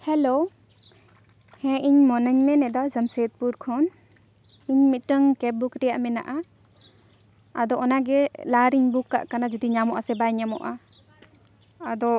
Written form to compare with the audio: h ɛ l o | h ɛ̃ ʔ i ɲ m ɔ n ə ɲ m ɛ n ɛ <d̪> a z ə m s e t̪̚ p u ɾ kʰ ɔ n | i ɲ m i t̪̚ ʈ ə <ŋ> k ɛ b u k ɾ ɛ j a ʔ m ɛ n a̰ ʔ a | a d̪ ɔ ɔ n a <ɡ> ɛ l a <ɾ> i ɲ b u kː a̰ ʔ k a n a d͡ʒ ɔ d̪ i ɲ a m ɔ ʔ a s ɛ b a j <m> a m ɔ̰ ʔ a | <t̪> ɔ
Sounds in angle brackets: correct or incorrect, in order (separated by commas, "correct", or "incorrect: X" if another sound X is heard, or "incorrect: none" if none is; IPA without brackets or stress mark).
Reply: correct, correct, correct, correct, incorrect: ɲ, incorrect: d̪